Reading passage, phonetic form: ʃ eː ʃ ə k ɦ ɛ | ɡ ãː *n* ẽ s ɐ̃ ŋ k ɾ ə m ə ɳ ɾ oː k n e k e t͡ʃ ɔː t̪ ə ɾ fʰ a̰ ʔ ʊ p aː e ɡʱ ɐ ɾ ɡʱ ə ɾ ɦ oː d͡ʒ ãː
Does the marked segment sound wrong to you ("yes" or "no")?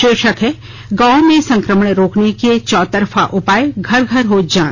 yes